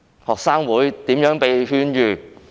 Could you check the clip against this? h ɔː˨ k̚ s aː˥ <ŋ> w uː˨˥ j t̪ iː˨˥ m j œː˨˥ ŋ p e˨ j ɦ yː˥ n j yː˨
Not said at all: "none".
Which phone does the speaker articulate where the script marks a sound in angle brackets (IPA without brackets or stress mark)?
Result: ŋ